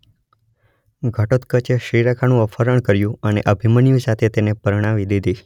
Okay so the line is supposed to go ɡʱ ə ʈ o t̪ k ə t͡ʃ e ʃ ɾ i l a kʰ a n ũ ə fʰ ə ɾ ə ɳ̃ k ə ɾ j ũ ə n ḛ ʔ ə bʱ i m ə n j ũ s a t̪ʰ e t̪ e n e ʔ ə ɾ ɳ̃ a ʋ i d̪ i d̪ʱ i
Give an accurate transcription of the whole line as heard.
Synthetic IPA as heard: ɡʱ ə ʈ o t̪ k ə t͡ʃ e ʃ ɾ i ɾ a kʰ a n ũ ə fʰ ə ɾ ə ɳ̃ k ə ɾ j ũ ə n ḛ ʔ ə bʱ i m ə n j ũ s a t̪ʰ e t̪ e n e p ə ɾ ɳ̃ a ʋ i d̪ i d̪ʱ i